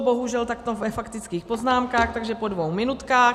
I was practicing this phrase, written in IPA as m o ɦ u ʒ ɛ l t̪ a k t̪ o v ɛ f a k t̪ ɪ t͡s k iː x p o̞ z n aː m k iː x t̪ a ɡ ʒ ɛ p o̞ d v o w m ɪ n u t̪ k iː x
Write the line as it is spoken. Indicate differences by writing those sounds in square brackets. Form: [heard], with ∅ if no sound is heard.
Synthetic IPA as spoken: [b] o ɦ u ʒ ɛ l t̪ a k t̪ o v ɛ f a k t̪ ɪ t͡s k iː x p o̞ z n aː m k [aː] x t̪ a ɡ ʒ ɛ p o̞ d v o w m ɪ n u t̪ k [aː] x